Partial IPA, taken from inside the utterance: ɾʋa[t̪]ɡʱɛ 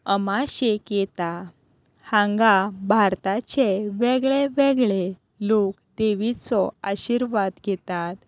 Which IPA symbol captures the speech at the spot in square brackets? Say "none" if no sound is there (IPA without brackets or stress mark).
d̪